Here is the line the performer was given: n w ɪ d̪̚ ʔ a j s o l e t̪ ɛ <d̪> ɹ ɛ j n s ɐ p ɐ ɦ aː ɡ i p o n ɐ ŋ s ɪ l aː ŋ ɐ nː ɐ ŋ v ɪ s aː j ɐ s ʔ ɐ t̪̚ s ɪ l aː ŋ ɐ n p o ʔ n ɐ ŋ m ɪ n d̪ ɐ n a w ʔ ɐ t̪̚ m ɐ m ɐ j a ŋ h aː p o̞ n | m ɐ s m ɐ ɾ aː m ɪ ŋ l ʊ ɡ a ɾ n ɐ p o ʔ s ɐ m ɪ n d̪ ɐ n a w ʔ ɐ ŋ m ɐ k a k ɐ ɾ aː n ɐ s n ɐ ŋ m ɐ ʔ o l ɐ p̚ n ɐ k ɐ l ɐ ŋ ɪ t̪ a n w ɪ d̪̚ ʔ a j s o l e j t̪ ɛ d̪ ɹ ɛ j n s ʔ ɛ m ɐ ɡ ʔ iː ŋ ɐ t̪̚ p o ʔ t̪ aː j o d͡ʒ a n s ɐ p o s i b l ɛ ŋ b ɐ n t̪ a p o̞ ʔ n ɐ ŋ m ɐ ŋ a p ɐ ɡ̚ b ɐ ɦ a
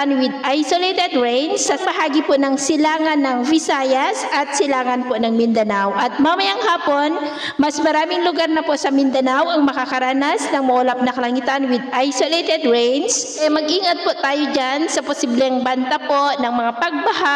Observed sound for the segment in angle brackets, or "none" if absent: d̪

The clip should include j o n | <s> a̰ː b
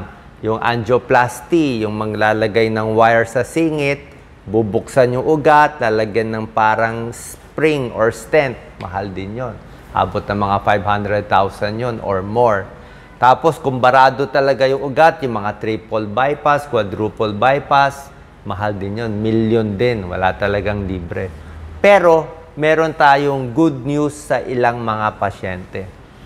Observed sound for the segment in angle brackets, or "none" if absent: h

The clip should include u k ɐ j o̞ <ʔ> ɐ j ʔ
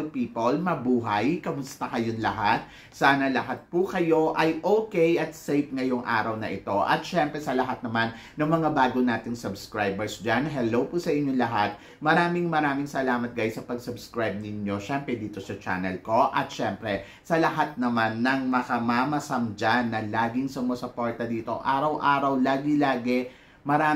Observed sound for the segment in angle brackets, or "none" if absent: ʔ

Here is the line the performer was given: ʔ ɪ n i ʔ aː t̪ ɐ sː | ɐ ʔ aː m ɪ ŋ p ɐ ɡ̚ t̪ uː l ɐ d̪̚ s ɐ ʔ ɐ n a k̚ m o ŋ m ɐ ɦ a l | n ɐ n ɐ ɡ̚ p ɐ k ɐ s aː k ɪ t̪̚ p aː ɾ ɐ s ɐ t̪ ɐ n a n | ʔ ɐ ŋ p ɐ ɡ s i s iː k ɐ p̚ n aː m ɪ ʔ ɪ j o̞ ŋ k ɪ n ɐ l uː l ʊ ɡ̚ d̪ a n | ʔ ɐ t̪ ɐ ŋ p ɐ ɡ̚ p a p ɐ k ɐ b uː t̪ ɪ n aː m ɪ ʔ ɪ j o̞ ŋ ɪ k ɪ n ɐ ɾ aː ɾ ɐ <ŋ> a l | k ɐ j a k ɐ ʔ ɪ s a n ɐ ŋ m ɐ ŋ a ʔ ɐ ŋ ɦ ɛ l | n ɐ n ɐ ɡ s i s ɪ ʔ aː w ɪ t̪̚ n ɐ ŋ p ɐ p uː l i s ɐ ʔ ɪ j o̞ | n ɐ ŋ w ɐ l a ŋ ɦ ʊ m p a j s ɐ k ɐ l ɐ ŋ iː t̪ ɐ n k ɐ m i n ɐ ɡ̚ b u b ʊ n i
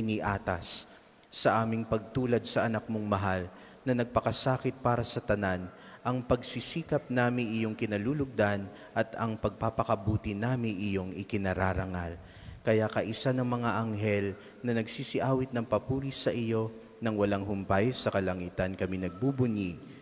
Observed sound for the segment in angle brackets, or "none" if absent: ŋ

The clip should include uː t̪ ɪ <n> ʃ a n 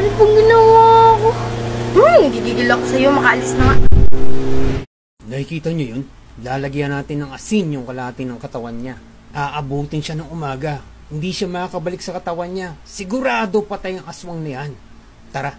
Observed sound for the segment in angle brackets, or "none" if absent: n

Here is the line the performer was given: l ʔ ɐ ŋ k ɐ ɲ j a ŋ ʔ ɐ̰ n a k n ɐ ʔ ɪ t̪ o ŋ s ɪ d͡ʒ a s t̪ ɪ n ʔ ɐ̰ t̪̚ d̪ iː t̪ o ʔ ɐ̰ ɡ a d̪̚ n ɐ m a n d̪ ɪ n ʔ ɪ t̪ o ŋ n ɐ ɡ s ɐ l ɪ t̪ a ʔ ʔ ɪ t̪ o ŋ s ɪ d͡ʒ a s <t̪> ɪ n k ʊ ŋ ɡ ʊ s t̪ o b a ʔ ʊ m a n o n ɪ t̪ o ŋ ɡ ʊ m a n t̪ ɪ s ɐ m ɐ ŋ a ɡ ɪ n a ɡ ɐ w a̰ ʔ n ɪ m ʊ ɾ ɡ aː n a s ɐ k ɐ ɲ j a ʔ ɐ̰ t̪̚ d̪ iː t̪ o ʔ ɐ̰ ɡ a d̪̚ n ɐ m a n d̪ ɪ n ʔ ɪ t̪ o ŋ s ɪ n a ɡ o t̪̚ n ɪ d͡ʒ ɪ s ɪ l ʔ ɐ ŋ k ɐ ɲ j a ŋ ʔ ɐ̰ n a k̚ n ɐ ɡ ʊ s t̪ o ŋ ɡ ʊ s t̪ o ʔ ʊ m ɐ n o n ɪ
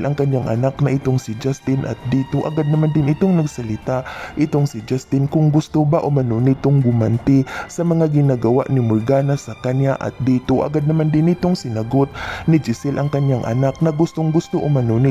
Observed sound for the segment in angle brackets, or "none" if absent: t̪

